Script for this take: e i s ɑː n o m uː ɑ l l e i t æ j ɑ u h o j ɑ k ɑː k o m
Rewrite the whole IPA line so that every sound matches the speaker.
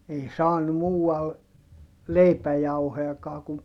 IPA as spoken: e i s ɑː n u m uː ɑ l l e i p æ j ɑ u h o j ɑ k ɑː k u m